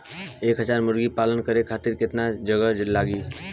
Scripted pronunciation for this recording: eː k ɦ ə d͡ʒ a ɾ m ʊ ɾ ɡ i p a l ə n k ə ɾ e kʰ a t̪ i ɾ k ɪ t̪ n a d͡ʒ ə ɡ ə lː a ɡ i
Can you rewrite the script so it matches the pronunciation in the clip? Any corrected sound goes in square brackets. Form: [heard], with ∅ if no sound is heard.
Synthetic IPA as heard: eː k ɦ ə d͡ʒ a ɾ m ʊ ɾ ɡ i p a l ə n k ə ɾ e kʰ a t̪ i ɾ k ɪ t̪ n a d͡ʒ ə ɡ ə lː a ɡ i